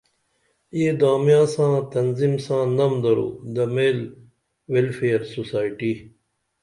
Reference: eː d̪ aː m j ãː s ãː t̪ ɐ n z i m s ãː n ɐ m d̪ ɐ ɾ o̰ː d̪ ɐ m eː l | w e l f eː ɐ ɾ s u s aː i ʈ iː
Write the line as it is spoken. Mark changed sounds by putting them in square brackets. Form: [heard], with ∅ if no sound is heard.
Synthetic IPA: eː d̪ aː m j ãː s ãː t̪ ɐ n z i m s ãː n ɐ m d̪ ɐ ɾ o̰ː d̪ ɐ m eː l | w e l f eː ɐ ɾ s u s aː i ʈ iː

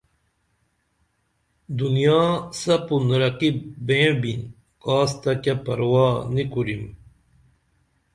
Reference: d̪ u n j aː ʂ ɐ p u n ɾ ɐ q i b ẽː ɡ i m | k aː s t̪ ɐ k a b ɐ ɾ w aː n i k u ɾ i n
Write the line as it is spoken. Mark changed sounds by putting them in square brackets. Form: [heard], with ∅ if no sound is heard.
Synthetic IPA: d̪ u n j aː [s] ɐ p u n ɾ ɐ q i b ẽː [b] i [n] | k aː s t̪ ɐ k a [p] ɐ ɾ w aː n i k u ɾ i [m]

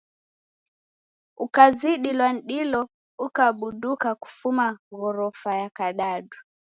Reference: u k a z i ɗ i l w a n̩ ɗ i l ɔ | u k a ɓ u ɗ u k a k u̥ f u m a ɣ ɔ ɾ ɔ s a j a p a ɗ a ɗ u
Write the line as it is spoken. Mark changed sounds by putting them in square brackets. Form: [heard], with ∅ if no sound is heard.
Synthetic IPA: u k a z i ɗ i l w a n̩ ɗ i l ɔ | u k a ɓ u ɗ u k a k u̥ f u m a ɣ ɔ ɾ ɔ [f] a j a [k] a ɗ a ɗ u

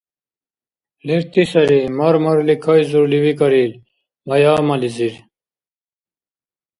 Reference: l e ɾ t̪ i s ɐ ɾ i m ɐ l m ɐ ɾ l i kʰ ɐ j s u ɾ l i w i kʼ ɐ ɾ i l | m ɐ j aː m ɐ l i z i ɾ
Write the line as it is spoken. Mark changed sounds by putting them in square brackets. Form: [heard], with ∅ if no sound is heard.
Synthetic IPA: l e ɾ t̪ i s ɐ ɾ i m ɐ [ɾ] m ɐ ɾ l i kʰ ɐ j [z] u ɾ l i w i [k] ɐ ɾ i l | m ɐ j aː m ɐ l i z i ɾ

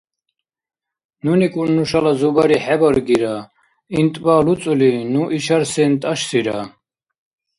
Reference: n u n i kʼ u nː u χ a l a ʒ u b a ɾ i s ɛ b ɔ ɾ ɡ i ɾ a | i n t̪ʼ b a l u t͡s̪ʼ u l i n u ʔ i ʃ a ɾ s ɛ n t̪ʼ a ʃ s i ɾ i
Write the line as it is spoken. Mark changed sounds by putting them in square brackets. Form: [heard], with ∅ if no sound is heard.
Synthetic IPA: n u n i kʼ u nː u [ʃ] a l a [z] u b a ɾ i [ħ] ɛ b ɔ ɾ ɡ i ɾ a | i n t̪ʼ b a l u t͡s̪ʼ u l i n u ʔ i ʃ a ɾ s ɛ n t̪ʼ a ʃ s i ɾ [a]

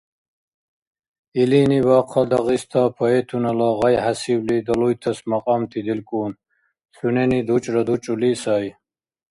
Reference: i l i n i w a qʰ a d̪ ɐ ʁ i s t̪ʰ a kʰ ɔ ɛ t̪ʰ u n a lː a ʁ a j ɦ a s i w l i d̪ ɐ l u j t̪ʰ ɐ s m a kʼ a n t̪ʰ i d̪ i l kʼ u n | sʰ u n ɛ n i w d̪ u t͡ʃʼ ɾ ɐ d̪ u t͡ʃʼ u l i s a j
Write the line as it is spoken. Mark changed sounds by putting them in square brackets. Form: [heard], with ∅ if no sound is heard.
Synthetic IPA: i l i n i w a qʰ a d̪ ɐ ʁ i s t̪ʰ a [pʰ] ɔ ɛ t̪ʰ u n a [l] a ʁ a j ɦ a s i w l i d̪ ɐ l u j t̪ʰ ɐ s m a [qʼ] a [m] t̪ʰ i d̪ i l kʼ u n | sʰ u n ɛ n i [∅] d̪ u t͡ʃʼ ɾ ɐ d̪ u t͡ʃʼ u l i s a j

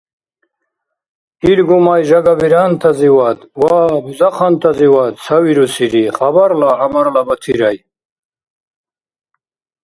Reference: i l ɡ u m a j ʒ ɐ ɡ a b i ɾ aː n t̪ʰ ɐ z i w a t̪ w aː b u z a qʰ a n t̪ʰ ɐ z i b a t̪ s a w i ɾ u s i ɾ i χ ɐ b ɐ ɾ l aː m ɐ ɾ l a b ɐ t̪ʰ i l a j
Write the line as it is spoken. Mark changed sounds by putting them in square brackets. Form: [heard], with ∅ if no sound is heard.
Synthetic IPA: i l ɡ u m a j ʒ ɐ ɡ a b i ɾ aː n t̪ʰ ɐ z i w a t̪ w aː b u z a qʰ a n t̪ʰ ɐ z i [w] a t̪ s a w i ɾ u s i ɾ i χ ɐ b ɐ ɾ l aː m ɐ ɾ l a b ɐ t̪ʰ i [ɾ] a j

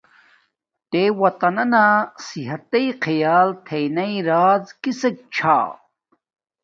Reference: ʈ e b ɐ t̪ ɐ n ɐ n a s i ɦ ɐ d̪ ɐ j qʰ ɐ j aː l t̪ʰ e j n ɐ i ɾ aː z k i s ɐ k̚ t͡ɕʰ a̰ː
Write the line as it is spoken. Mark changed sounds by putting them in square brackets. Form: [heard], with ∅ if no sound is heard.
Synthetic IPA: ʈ e [w] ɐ t̪ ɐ n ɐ n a s i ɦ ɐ [t̪] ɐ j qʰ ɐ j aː l t̪ʰ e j n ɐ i ɾ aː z k i s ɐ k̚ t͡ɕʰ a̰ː

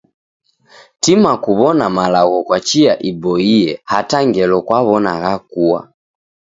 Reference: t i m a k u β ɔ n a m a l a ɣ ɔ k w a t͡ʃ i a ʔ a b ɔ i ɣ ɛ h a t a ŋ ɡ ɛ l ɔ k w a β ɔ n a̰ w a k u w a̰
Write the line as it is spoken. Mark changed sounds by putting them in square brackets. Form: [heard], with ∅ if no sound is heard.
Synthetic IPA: t i m a k u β ɔ n a m a l a ɣ ɔ k w a t͡ʃ i a ʔ [i] b ɔ i [∅] ɛ h a t a ŋ ɡ ɛ l ɔ k w a β ɔ n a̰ [ɣ] a k u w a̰

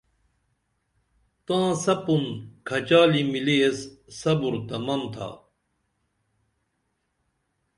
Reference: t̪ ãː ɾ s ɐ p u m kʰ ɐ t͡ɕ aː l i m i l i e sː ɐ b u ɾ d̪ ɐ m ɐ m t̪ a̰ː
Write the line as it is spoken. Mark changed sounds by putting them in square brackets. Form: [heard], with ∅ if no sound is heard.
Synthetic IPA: t̪ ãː [∅] s ɐ p u [n] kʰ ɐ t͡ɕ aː l i m i l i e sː ɐ b u ɾ [t̪] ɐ m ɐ m [t̪ʰ] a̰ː

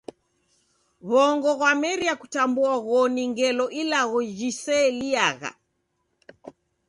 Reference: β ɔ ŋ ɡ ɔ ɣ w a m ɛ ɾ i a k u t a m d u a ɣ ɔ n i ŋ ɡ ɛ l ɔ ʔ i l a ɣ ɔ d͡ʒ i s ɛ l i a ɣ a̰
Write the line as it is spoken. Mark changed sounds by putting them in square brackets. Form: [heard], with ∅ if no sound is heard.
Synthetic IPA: β ɔ ŋ ɡ ɔ ɣ w a m ɛ ɾ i a k u t a m [b] u a ɣ ɔ n i ŋ ɡ ɛ l ɔ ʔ i l a ɣ ɔ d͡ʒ i s ɛ l i a ɣ a̰

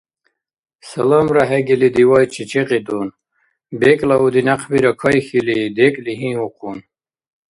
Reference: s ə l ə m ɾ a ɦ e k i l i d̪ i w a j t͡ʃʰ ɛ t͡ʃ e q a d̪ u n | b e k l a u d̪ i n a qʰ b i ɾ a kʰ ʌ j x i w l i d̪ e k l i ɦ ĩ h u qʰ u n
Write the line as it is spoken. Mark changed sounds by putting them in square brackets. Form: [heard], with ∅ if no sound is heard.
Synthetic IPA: s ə l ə m ɾ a ɦ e [ɡ] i l i d̪ i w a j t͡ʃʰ [i] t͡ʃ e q [i] d̪ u n | b e k l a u d̪ i n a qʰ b i ɾ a kʰ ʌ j x i [∅] l i d̪ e k l i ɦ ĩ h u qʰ u n

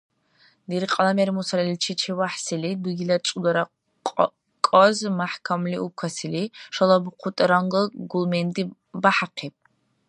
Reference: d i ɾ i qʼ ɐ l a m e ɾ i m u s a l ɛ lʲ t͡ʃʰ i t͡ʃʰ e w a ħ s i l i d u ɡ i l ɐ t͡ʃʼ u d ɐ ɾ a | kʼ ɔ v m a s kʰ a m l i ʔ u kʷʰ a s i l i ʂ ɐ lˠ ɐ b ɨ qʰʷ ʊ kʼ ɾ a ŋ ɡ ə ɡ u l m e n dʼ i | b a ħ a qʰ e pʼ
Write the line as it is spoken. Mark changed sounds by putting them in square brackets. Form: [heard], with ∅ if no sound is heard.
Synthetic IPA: d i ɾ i qʼ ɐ l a m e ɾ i m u s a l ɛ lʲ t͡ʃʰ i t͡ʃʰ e w a ħ s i l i d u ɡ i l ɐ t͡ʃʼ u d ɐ ɾ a | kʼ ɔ [z] m a [ħ] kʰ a m l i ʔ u kʷʰ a s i l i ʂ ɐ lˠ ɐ b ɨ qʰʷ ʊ [tʼ] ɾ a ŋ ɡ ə ɡ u l m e n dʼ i | b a ħ a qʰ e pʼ

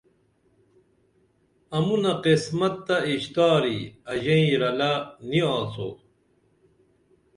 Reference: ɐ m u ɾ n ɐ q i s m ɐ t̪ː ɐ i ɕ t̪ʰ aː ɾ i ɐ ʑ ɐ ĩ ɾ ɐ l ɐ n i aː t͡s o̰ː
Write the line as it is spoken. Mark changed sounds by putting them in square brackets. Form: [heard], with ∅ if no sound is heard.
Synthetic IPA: ɐ m u [∅] n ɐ q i s m ɐ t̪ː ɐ i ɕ [t̪] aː ɾ i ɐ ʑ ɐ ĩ ɾ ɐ l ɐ n i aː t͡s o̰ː

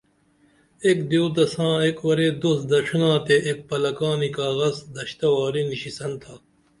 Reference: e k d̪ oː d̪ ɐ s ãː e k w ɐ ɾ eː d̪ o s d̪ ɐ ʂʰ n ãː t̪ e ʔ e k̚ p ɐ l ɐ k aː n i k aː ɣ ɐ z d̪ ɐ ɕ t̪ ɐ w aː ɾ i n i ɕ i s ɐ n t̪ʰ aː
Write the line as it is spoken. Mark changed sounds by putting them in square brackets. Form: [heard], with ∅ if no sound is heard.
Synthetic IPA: e k d̪ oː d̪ ɐ s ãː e k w ɐ ɾ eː d̪ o s d̪ ɐ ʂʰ n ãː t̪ e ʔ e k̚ p ɐ l ɐ k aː n i k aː ɣ ɐ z d̪ ɐ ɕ t̪ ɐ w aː ɾ i n i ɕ i s ɐ n t̪ʰ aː

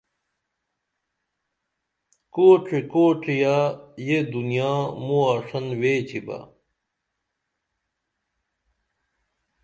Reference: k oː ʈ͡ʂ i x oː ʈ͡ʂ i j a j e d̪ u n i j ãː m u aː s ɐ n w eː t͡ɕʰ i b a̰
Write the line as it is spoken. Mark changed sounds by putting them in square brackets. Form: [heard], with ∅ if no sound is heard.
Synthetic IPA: k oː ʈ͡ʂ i [k] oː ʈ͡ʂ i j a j e d̪ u n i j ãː m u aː [ʂ] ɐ n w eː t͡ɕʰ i b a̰

